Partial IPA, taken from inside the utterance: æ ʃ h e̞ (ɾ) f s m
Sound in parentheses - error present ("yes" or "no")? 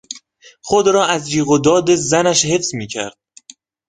yes